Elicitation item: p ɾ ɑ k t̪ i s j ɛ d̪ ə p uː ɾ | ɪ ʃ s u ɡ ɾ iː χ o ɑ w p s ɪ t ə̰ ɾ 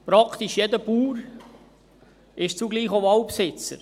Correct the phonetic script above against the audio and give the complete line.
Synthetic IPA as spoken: p ɾ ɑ k t̪ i ʃ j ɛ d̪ ə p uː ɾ | ɪ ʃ t͡s u ɡ l iː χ o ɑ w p s ɪ t͡s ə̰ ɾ